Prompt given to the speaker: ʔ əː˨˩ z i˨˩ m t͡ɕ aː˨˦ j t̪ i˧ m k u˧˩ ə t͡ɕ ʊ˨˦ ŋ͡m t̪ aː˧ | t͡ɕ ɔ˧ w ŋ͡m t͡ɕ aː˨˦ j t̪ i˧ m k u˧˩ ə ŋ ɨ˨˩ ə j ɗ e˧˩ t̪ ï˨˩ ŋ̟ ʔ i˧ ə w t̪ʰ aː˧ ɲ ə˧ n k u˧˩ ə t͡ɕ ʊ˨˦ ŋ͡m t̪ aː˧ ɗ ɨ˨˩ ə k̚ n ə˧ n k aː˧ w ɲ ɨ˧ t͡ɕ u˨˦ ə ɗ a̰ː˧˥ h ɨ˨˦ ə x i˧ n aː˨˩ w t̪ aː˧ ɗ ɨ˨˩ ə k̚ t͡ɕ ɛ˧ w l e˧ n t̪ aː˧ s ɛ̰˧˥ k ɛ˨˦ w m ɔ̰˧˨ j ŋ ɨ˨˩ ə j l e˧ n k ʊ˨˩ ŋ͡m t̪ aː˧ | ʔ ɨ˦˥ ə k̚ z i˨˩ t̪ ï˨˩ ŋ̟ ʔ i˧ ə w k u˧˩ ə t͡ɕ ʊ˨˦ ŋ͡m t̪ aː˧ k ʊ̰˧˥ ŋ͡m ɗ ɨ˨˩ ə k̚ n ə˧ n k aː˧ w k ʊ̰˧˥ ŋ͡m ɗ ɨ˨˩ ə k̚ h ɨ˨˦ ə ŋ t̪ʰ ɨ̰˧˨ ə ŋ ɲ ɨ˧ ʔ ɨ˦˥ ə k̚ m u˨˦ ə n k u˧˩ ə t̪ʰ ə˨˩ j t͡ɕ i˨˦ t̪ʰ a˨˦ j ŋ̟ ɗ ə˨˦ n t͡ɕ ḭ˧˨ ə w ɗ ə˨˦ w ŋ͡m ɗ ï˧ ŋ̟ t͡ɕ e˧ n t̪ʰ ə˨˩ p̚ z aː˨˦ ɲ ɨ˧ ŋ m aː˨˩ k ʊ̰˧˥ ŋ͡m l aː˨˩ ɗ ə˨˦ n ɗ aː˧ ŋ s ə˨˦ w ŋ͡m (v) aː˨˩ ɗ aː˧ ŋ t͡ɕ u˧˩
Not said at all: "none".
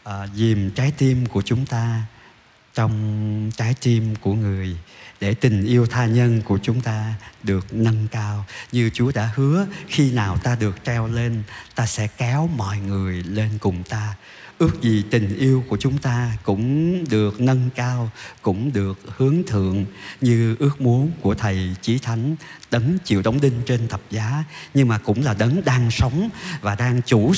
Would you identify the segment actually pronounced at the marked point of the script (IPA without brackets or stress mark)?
v